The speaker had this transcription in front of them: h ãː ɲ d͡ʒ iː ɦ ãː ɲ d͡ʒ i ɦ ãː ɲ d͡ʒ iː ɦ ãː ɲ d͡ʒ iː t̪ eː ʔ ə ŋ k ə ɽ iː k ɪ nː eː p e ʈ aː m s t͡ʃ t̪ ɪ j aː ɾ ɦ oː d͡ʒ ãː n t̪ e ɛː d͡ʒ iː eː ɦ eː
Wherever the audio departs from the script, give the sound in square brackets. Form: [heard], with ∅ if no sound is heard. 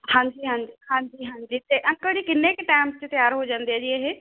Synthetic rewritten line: h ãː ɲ d͡ʒ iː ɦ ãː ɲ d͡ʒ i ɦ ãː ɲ d͡ʒ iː ɦ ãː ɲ d͡ʒ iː t̪ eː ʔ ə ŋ k ə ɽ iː k ɪ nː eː [k] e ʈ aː m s t͡ʃ t̪ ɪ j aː ɾ ɦ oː d͡ʒ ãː n [d̪] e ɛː d͡ʒ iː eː ɦ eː